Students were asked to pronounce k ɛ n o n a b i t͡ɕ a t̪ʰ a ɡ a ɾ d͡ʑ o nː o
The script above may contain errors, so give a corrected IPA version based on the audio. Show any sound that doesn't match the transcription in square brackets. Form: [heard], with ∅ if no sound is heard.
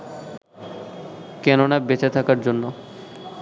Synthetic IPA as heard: k ɛ n o n a b [e] t͡ɕ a t̪ʰ a [k] a ɾ d͡ʑ o nː o